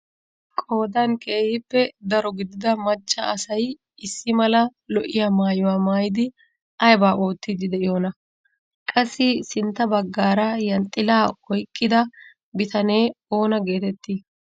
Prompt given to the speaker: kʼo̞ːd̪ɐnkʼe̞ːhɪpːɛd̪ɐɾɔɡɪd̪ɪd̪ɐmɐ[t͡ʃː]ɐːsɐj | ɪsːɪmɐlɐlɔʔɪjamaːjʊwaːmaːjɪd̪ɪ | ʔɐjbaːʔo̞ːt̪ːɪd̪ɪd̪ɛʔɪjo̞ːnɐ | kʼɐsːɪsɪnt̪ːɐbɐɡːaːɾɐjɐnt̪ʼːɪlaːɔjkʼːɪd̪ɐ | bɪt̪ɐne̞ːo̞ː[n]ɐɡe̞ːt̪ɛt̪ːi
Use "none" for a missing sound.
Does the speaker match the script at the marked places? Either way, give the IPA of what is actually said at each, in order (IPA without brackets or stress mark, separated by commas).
t͡ʃː, n